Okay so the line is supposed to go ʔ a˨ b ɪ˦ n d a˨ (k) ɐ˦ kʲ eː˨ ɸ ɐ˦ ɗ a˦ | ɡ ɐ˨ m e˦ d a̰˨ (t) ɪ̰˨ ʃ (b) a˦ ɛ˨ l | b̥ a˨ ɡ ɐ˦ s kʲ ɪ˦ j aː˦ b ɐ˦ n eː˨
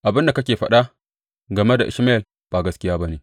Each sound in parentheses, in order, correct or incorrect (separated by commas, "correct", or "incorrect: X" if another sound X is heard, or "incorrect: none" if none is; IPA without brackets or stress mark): correct, incorrect: ʔ, incorrect: m